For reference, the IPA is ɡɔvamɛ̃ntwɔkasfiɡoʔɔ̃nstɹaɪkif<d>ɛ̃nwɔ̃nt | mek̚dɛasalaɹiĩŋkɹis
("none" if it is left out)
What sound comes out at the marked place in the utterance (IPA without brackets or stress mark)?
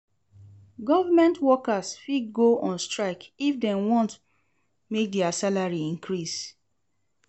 d